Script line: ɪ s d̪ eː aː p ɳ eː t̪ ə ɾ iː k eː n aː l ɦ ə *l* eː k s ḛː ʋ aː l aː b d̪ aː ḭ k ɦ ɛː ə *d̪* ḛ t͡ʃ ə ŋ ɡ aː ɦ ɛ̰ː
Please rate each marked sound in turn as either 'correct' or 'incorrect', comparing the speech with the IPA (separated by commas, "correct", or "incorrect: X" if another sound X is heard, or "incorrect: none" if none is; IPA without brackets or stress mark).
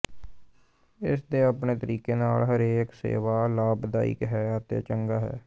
incorrect: ɾ, incorrect: t̪